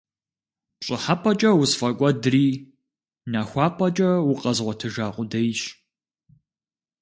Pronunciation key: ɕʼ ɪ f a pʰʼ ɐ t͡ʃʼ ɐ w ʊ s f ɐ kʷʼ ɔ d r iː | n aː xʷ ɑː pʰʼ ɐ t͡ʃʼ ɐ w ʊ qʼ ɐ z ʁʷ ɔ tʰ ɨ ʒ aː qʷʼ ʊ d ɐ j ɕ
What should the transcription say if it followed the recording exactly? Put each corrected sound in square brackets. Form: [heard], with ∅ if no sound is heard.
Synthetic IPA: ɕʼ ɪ [ħ] a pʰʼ ɐ t͡ʃʼ ɐ w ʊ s f ɐ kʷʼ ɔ d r iː | n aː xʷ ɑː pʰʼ ɐ t͡ʃʼ ɐ w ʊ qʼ ɐ z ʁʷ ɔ tʰ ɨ ʒ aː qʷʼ ʊ d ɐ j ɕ